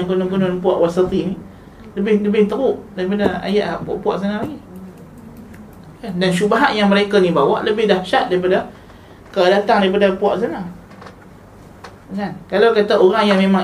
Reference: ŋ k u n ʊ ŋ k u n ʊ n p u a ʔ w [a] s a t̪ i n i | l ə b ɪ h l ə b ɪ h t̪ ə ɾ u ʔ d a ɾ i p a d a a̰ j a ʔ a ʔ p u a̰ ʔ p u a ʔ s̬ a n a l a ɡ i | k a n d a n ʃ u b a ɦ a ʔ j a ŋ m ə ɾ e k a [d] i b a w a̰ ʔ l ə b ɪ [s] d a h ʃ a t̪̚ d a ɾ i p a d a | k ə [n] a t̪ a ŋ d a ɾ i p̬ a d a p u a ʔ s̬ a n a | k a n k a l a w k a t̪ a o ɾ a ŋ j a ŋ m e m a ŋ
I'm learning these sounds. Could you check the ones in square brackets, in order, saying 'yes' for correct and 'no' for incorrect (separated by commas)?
yes, no, no, no